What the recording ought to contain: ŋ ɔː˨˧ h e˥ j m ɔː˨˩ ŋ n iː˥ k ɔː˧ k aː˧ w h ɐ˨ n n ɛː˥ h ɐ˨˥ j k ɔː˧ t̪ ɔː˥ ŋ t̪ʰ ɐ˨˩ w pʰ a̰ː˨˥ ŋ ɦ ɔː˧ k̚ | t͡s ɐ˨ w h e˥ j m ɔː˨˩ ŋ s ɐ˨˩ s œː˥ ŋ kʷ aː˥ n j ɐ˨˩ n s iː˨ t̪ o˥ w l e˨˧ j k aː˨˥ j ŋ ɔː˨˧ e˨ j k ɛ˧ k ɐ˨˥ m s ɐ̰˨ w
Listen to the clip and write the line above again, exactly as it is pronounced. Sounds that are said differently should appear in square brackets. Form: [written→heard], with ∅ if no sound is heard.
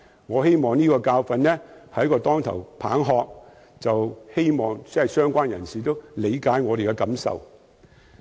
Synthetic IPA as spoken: ŋ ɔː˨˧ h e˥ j m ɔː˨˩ ŋ n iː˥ k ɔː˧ k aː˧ w [h→f] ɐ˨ n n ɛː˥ h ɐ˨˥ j k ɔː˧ t̪ ɔː˥ ŋ t̪ʰ ɐ˨˩ w pʰ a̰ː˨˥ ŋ ɦ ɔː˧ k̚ | t͡s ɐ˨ w h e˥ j m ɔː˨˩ ŋ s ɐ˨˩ s œː˥ ŋ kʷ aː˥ n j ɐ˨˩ n s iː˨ t̪ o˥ w l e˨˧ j k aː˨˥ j ŋ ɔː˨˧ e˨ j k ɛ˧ k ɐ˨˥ m s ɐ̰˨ w